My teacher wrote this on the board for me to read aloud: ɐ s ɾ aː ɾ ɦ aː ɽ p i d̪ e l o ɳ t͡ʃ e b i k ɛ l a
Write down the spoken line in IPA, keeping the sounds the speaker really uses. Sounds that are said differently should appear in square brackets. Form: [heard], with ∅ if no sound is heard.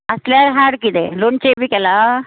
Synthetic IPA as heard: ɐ s [l] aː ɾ ɦ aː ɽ [k] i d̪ e l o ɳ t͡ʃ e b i k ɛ l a